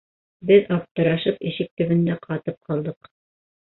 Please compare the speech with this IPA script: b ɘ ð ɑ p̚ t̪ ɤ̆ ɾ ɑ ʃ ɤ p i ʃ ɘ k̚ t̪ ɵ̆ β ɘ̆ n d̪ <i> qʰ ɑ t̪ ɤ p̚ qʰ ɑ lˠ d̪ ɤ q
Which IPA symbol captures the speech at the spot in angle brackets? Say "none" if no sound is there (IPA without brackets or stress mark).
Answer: æ